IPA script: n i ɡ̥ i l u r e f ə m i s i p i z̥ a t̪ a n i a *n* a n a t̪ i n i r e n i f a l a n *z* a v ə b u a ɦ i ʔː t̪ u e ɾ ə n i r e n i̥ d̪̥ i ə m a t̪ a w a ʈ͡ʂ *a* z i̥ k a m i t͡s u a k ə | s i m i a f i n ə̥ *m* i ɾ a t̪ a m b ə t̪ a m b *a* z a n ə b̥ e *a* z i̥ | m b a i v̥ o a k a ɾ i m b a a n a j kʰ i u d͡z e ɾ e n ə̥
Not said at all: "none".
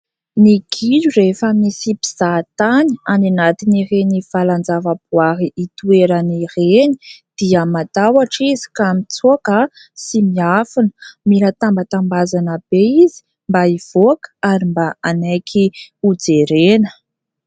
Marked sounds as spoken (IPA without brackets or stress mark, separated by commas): n, d͡z, i, m, a, i